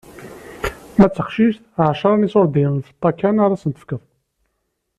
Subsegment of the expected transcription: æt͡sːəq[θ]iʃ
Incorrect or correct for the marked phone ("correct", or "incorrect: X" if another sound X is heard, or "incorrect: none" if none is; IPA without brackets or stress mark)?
incorrect: ʃ